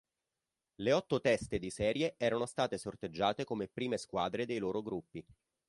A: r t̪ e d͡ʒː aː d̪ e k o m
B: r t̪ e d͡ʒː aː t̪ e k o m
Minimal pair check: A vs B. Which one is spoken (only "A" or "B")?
B